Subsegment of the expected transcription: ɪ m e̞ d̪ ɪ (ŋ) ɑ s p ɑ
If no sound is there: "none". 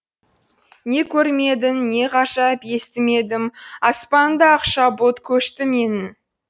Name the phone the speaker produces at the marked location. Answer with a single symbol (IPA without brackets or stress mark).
m